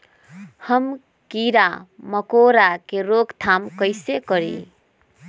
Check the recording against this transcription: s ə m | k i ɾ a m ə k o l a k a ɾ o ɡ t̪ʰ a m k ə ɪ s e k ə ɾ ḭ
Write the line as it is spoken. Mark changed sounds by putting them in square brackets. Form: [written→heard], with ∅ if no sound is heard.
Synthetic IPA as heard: [s→h] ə m | k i ɾ a m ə k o [l→ɾ] a k [a→e] ɾ o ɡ t̪ʰ a m k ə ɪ s e k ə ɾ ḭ